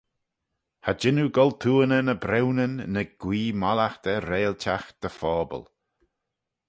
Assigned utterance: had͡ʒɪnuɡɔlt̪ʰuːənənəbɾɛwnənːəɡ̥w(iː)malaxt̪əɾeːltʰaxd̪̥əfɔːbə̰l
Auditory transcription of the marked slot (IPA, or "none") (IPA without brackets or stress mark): iː